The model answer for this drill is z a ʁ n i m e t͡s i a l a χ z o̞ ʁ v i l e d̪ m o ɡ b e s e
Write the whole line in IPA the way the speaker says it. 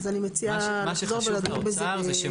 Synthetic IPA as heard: z a n i m e t͡s i a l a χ z o̞ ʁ v e l a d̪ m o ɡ b e z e